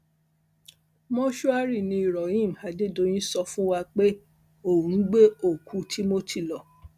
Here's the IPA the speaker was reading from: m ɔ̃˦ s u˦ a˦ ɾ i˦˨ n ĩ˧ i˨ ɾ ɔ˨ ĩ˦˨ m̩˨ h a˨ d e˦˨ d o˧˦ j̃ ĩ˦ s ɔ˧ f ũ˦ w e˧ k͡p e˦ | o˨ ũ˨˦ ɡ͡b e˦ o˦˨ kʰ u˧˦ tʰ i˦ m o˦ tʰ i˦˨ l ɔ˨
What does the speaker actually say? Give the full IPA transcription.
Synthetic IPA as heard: m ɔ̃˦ ʃ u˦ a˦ ɾ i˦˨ n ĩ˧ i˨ ɾ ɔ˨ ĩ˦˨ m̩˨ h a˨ d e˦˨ d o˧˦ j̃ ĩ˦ s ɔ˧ f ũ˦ w a˧ k͡p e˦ | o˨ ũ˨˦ ɡ͡b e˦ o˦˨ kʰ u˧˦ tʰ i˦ m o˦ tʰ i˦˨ l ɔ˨